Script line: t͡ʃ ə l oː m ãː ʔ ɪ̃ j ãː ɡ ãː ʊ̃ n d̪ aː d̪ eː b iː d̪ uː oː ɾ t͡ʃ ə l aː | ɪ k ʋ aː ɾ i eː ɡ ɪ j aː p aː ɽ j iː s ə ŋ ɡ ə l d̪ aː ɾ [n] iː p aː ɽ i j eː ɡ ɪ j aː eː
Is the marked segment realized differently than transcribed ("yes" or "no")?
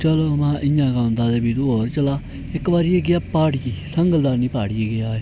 no